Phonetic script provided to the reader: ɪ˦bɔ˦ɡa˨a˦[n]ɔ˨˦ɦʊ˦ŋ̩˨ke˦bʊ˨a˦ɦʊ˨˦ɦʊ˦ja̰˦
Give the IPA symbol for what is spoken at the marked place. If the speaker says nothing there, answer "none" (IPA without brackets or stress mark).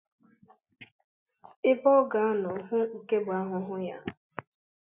n